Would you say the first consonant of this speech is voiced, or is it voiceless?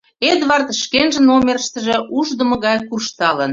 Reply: voiced